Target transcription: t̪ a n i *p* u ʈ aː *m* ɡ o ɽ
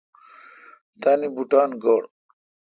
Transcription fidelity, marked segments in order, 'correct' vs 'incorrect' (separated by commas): incorrect, incorrect